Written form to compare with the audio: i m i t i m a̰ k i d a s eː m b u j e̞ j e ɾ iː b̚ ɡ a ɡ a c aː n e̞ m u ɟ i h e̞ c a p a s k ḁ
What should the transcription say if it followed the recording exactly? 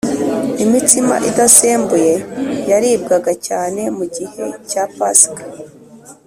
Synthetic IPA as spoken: i m i t i m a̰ ʔ i d a s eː m b u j e̞ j a ɾ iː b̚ ɡ a ɡ a c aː n e̞ m u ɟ i h e̞ c a p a s k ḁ